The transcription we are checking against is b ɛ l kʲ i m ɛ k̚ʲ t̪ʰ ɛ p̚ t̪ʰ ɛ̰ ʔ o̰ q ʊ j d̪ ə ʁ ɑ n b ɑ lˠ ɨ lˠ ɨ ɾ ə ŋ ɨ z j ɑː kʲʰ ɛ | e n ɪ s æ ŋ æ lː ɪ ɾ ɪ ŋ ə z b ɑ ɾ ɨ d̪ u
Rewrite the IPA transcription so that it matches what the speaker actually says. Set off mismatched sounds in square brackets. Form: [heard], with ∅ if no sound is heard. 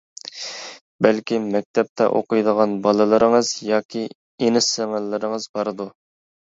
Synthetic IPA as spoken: b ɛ l kʲ i m ɛ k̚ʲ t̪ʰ ɛ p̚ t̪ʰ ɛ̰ ʔ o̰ q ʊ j d̪ ə ʁ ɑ n b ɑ lˠ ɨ lˠ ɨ ɾ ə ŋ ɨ z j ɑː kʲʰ [i] | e n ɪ s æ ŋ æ lː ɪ ɾ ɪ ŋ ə z b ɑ ɾ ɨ d̪ u

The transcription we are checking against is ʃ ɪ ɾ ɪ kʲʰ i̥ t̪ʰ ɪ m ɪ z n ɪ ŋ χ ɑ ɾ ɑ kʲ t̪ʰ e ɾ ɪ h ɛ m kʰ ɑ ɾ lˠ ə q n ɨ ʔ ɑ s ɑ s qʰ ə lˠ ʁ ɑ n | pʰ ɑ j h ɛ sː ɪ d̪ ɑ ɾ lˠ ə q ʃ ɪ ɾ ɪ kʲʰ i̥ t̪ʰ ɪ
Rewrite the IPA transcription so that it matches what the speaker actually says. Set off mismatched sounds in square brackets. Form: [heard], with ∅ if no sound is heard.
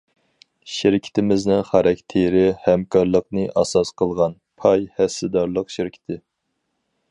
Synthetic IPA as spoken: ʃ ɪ ɾ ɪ kʲʰ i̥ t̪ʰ ɪ m ɪ z n ɪ ŋ χ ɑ ɾ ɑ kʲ t̪ʰ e ɾ ɪ h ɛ m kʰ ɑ ɾ lˠ ə q n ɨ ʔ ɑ s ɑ s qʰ ə lˠ ʁ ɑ n | pʰ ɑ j h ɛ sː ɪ d̪ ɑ ɾ lˠ ə q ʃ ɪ ɾ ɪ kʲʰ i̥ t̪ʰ ɪ

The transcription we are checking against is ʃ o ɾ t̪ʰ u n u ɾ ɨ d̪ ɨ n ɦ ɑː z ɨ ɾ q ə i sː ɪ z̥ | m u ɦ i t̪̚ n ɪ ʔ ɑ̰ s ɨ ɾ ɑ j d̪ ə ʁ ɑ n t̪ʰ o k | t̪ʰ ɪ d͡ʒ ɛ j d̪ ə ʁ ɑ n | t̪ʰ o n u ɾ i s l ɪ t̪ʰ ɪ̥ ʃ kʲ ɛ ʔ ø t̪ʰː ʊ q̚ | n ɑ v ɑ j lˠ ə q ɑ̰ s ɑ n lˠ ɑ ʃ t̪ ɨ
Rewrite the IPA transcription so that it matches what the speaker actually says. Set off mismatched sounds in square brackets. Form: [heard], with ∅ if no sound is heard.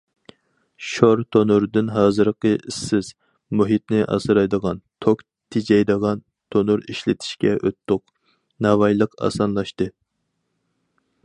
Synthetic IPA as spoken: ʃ o ɾ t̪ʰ [o] n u ɾ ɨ d̪ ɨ n ɦ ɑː z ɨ ɾ q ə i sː ɪ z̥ | m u ɦ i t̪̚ n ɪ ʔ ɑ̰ s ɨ ɾ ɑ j d̪ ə ʁ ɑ n t̪ʰ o k | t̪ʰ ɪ d͡ʒ ɛ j d̪ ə ʁ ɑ n | t̪ʰ o n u ɾ i [ʃ] l ɪ t̪ʰ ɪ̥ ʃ kʲ ɛ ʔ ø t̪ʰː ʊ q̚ | n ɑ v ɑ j lˠ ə q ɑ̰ s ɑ n lˠ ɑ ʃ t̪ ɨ

